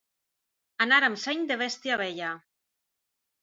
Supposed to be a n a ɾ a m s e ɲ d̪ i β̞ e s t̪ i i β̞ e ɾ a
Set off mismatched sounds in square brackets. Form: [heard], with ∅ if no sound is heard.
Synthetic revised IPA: a n a ɾ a m s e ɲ d̪ [e] β̞ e s t̪ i [a] β̞ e [ʎ] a